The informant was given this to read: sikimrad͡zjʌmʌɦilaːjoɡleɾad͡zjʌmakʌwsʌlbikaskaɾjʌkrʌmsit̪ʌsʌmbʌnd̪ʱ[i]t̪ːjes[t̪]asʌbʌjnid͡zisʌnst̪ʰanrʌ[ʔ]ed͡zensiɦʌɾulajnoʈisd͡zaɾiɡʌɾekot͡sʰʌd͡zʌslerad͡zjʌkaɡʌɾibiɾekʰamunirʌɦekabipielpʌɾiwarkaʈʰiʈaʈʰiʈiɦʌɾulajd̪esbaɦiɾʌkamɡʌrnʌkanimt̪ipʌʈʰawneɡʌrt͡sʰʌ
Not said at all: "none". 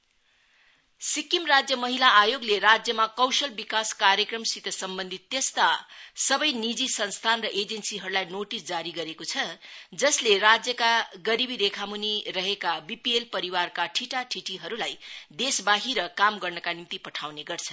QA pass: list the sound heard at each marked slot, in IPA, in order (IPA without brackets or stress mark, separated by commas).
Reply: i, t̪, ʔ